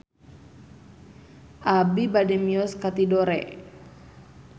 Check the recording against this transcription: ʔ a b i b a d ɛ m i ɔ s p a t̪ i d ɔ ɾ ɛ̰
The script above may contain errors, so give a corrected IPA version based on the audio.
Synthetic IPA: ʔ a b i b a d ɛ m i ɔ s k a t̪ i d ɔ ɾ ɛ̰